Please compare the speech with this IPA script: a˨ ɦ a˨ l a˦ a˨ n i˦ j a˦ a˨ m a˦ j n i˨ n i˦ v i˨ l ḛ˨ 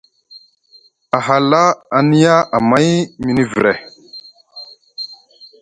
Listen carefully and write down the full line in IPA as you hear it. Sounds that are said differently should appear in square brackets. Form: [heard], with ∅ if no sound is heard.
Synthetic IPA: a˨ ɦ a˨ l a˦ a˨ n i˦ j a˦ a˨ m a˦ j [m] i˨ n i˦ v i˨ [ɾ] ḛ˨